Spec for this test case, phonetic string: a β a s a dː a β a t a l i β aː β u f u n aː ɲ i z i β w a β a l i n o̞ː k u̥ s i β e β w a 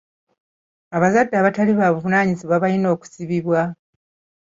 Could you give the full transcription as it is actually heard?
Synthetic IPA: a β a z a dː a β a t a l i β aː β u v u n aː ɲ i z i β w a β a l i n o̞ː k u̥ s i β i β w a